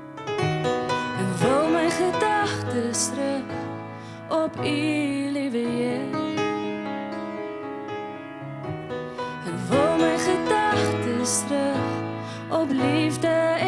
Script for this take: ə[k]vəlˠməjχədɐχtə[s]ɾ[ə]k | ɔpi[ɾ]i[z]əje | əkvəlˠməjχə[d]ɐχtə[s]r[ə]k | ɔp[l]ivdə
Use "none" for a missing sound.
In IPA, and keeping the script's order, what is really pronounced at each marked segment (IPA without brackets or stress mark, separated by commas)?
k, s, ə, l, v, d, s, ə, l